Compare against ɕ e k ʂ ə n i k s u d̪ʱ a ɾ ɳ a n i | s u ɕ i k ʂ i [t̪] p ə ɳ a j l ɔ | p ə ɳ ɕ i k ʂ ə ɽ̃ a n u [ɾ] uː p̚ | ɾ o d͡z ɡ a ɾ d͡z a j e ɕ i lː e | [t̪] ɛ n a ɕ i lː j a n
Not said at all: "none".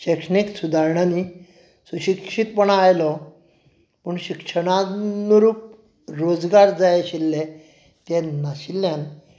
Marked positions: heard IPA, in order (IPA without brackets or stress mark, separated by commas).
t̪, ɾ, t̪